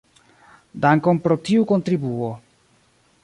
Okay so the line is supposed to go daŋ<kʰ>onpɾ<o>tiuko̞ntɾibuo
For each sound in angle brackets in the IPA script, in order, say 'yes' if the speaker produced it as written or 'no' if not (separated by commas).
no, yes